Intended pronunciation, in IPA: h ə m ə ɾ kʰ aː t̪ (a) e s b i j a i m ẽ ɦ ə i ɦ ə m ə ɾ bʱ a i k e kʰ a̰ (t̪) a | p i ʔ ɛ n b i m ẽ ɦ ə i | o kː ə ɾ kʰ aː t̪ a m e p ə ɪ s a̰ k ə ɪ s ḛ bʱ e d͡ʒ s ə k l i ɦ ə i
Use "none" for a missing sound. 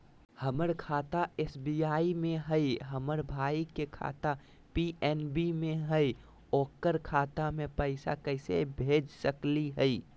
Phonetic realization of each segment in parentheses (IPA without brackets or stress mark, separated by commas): a, t̪